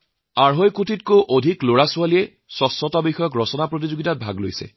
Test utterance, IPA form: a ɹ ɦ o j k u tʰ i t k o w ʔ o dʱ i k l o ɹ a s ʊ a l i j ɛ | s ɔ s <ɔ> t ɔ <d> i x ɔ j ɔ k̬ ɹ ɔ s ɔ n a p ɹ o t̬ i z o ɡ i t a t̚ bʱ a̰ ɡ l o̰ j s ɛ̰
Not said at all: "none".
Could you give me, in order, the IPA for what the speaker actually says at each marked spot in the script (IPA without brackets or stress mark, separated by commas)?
ɔ, b